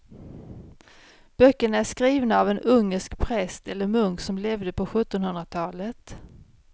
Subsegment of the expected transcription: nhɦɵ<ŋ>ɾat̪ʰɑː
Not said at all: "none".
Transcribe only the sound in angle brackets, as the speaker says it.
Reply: n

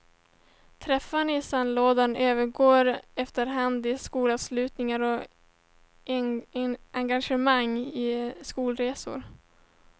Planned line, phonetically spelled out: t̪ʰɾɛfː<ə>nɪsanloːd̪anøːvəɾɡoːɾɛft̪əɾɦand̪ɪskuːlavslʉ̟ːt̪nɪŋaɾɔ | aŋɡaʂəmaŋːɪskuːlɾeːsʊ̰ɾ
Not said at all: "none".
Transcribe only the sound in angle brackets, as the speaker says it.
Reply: a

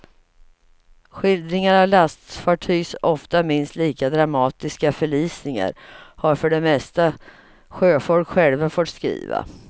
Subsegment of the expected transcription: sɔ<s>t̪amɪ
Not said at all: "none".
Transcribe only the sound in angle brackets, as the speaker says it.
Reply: f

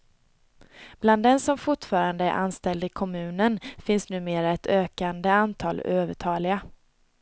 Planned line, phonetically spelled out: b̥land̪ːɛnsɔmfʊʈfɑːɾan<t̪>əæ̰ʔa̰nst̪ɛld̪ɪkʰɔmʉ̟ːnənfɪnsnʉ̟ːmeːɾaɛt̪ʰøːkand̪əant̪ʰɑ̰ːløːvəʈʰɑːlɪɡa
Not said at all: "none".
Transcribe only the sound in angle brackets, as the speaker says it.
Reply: d̪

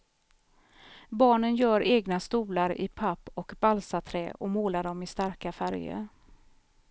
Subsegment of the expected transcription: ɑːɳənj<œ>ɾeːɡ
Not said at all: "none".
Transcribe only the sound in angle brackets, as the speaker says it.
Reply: œː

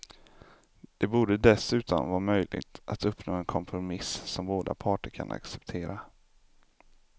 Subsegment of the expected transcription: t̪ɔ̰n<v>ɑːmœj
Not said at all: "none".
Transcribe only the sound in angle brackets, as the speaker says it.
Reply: v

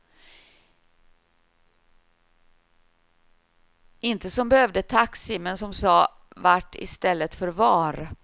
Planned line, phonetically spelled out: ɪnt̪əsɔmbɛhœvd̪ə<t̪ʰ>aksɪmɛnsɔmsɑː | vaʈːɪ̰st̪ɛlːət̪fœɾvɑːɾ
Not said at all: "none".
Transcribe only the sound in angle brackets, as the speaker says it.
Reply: t̪ʰ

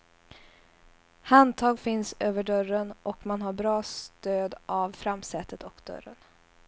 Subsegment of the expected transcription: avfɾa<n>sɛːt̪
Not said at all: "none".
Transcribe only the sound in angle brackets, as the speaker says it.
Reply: m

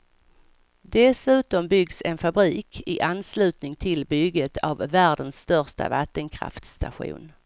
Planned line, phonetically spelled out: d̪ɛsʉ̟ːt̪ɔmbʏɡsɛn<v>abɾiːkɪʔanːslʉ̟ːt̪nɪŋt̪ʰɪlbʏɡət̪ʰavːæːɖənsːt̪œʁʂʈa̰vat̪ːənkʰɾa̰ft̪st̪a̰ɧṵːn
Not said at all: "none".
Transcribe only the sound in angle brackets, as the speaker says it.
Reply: f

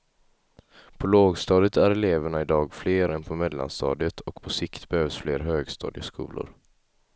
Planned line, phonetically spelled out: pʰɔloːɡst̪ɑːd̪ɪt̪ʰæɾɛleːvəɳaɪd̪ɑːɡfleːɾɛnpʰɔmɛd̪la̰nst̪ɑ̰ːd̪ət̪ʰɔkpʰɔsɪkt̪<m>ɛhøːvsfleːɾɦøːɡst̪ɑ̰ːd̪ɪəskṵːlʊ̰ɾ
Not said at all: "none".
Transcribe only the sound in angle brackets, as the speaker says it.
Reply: b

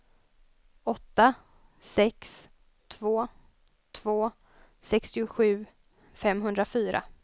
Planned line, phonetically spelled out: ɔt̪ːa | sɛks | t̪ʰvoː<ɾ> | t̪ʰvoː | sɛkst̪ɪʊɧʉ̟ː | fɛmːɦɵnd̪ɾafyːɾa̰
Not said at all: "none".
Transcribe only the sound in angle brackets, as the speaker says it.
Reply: none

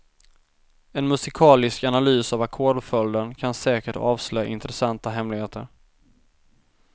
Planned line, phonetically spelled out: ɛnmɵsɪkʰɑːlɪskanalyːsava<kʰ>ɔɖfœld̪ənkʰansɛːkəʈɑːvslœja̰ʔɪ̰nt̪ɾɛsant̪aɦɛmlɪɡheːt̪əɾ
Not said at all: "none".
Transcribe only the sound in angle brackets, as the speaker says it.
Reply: kʰ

